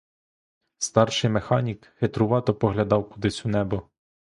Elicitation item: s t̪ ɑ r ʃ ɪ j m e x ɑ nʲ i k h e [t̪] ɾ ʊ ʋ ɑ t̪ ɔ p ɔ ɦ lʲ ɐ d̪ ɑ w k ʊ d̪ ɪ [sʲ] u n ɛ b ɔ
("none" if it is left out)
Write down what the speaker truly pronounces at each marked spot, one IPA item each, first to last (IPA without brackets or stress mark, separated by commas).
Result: t̪, sʲ